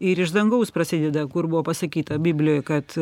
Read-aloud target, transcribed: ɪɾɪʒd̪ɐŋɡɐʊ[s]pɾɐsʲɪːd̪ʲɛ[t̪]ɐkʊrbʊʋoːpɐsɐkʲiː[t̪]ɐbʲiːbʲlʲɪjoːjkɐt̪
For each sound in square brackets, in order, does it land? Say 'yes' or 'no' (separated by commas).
yes, no, yes